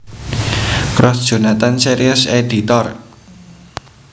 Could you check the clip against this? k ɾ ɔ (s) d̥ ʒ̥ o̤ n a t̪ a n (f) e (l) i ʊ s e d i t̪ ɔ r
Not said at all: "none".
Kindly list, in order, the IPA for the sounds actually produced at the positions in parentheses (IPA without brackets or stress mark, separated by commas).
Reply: s, s, ɾ